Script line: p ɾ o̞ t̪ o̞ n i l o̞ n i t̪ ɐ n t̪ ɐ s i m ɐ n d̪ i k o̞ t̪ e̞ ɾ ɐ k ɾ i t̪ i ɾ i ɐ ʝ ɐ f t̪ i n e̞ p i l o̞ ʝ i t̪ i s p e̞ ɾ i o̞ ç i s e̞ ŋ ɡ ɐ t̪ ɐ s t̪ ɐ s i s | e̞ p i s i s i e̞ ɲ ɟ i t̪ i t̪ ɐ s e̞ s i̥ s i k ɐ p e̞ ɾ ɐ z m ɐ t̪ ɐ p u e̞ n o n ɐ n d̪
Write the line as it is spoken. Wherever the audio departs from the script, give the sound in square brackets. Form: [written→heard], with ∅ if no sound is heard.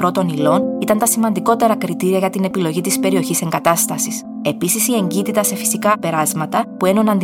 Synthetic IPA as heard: p ɾ o̞ t̪ o̞ n i l o̞ n i t̪ ɐ n t̪ ɐ s i m ɐ n d̪ i k o̞ t̪ e̞ ɾ ɐ k ɾ i t̪ i ɾ i ɐ ʝ ɐ [f→∅] t̪ i n e̞ p i l o̞ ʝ i t̪ i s p e̞ ɾ i o̞ ç i s e̞ ŋ ɡ ɐ t̪ ɐ s t̪ ɐ s i s | e̞ p i s i s i e̞ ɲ ɟ i t̪ i t̪ ɐ s e̞ [s→f] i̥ s i k ɐ p e̞ ɾ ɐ z m ɐ t̪ ɐ p u e̞ n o n ɐ n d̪